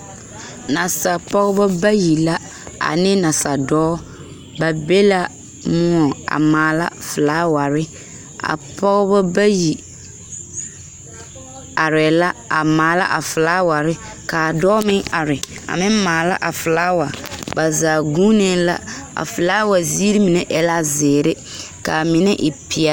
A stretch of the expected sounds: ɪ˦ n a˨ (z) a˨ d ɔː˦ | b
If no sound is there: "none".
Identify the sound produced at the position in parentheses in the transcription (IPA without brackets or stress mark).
s